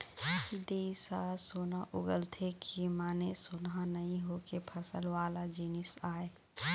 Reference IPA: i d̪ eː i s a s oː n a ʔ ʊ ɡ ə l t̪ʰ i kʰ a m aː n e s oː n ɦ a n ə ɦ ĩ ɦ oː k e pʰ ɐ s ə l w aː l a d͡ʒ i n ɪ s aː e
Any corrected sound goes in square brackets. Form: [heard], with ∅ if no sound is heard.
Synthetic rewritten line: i d̪ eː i s a s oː n a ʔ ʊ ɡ ə l t̪ʰ [e] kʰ [i] m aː n e s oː n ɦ a n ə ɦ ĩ ɦ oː k e pʰ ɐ s ə l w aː l a d͡ʒ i n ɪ s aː e

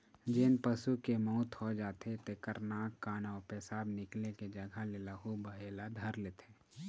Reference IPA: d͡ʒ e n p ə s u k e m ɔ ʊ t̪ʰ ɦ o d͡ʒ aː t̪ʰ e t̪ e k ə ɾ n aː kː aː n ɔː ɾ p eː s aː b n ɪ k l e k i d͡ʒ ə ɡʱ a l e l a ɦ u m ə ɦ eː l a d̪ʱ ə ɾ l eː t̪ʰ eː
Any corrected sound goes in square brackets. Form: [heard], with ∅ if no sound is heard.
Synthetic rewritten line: d͡ʒ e n p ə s u k e m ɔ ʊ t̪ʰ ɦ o d͡ʒ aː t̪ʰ e t̪ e k ə ɾ n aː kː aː n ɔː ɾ p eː s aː b n ɪ k l e k [e] d͡ʒ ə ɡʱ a l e l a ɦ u [b] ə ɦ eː l a d̪ʱ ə ɾ l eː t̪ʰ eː

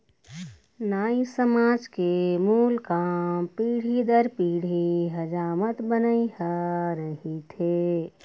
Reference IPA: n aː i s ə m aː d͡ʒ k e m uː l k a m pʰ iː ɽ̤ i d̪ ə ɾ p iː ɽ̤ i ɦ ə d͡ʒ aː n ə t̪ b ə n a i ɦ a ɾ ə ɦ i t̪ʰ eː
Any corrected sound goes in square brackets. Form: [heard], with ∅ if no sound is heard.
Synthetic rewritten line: n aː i s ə m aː d͡ʒ k e m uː l k a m [p] iː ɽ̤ i d̪ ə ɾ p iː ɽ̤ i ɦ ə d͡ʒ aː [m] ə t̪ b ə n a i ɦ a ɾ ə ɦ i t̪ʰ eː

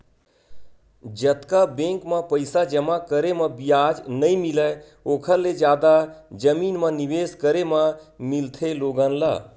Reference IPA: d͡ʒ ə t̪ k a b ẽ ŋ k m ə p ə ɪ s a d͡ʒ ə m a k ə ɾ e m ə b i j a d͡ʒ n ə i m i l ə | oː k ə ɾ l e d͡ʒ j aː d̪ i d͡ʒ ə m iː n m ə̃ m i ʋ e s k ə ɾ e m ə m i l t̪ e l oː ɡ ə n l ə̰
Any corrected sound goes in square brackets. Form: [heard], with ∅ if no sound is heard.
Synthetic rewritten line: d͡ʒ ə t̪ k a b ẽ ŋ k m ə p ə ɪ s a d͡ʒ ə m a k ə ɾ e m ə b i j a d͡ʒ n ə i m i l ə | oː [kʰ] ə ɾ l e d͡ʒ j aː d̪ [a] d͡ʒ ə m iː n m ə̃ [n] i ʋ e s k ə ɾ e m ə m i l [t̪ʰ] e l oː ɡ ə n l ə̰

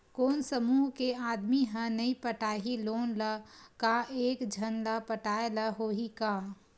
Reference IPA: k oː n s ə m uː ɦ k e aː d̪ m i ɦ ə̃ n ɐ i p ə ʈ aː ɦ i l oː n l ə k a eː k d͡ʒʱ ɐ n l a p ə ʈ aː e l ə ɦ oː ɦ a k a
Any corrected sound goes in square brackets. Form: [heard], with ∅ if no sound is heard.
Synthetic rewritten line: k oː n s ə m uː ɦ k e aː d̪ m i ɦ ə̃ n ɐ i p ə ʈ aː ɦ i l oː n l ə k a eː k d͡ʒʱ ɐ n l a p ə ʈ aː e l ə ɦ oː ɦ [i] k a

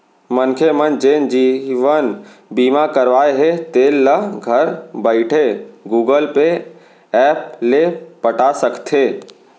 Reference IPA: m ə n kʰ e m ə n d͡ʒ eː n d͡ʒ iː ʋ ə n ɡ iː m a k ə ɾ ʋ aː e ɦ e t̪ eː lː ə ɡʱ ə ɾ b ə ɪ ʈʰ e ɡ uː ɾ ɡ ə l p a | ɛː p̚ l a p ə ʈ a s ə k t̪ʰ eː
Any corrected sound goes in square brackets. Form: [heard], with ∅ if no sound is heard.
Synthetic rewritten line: m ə n kʰ e m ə n d͡ʒ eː n d͡ʒ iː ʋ ə n [b] iː m a k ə ɾ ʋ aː e ɦ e t̪ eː lː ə ɡʱ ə ɾ b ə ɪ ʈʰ e ɡ uː [∅] ɡ ə l p [e] | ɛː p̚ l [e] p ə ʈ a s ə k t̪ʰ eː

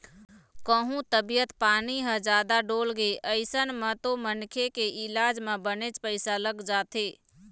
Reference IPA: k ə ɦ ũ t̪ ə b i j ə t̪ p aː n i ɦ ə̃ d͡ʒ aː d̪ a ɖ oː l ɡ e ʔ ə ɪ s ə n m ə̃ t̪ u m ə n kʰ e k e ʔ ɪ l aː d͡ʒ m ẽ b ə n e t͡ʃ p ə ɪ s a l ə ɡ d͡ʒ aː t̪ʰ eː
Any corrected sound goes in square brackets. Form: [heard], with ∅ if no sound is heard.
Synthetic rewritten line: k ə ɦ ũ t̪ ə b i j ə t̪ p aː n i ɦ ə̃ d͡ʒ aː d̪ a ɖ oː l ɡ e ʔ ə ɪ s ə n m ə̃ t̪ [o] m ə n kʰ e k e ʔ ɪ l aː d͡ʒ m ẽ b ə n e t͡ʃ p ə ɪ s a l ə ɡ d͡ʒ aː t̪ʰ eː

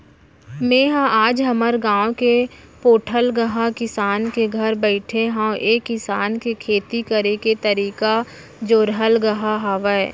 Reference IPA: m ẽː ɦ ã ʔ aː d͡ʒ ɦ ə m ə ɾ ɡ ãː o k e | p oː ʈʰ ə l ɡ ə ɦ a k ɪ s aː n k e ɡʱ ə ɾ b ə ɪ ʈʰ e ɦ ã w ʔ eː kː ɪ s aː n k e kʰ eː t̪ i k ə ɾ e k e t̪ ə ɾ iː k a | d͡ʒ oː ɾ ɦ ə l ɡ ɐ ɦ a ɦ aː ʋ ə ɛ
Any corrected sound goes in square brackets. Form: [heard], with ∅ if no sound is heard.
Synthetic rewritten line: m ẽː ɦ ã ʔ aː d͡ʒ ɦ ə m ə ɾ ɡ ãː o k e | p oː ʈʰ ə l ɡ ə ɦ a k ɪ s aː n k e ɡʱ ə ɾ b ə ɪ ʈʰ e ɦ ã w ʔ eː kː ɪ s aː n k e kʰ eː t̪ i k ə ɾ e k e t̪ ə ɾ iː k a | d͡ʒ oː ɾ ɦ ə l ɡ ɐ ɦ a ɦ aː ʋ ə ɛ

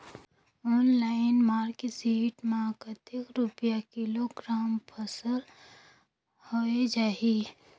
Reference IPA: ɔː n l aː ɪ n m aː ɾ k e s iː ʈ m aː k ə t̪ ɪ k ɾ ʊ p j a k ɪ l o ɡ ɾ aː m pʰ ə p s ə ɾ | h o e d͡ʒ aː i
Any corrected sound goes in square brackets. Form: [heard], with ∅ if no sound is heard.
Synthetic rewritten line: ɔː n l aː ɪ n m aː ɾ k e s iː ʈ m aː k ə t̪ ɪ k ɾ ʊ p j a k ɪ l o ɡ ɾ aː m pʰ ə [∅] s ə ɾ | h o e d͡ʒ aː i

